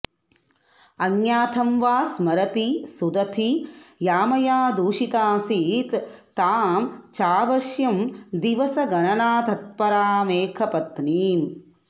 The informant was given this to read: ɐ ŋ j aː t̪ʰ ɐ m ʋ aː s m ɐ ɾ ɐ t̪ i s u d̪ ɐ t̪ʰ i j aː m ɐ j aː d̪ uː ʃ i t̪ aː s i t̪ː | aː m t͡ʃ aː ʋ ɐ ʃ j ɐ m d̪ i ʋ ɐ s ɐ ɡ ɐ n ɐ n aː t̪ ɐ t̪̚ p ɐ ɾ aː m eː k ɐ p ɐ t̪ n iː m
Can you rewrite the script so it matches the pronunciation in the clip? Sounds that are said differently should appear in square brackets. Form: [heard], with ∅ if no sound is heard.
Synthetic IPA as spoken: ɐ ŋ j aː t̪ʰ ɐ m ʋ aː s m ɐ ɾ ɐ t̪ i s u d̪ ɐ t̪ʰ i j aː m ɐ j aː d̪ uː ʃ i t̪ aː s i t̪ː | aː m t͡ʃ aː ʋ ɐ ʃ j ɐ m d̪ i ʋ ɐ s ɐ ɡ ɐ n ɐ n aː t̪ ɐ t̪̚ p ɐ ɾ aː m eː [kʰ] ɐ p ɐ t̪ n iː m